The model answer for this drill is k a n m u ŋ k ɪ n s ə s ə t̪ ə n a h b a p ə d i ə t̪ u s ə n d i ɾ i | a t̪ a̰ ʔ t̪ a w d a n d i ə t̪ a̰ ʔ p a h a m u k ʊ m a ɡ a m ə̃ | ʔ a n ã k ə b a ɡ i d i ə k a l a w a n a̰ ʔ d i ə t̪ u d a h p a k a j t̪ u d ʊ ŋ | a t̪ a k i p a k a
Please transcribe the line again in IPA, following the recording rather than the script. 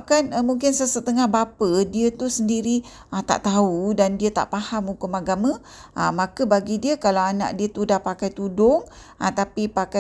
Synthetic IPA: k a n m u ŋ k ɪ n s ə s ə t̪ ə ŋ a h b a p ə d i ə t̪ u s ə n d i ɾ i | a t̪ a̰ ʔ t̪ a u d a n d i ə t̪ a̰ ʔ p a h a m u k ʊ m a ɡ a m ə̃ | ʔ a m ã k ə b a ɡ i d i ə k a l a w a n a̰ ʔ d i ə t̪ u d a h p a k a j t̪ u d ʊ ŋ | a t̪ a p i p a k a